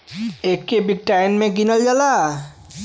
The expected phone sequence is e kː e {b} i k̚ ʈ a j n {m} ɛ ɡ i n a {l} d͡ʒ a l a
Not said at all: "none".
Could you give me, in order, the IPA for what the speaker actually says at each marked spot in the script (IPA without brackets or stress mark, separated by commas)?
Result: b, m, l